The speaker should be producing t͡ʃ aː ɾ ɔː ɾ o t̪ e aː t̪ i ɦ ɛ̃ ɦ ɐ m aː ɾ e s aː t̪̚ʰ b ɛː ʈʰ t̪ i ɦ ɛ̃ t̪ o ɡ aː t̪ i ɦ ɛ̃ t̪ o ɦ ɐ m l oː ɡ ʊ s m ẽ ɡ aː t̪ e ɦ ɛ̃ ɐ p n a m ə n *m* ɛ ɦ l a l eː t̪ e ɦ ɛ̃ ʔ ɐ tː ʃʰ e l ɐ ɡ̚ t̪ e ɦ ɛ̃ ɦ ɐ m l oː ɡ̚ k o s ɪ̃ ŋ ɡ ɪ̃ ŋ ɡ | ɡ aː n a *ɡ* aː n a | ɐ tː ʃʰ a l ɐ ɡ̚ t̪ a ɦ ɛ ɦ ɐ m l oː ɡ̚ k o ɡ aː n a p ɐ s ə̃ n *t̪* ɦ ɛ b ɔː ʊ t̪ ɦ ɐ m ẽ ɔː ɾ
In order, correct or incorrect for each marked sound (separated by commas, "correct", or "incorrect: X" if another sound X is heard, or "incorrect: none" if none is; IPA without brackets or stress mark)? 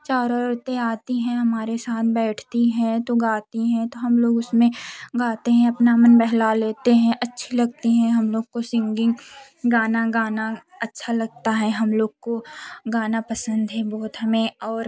incorrect: b, correct, incorrect: d̪